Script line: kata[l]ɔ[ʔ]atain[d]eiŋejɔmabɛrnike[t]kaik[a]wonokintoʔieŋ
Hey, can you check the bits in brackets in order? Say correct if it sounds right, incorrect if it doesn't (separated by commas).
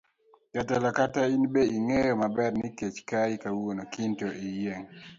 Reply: correct, incorrect, incorrect, incorrect, correct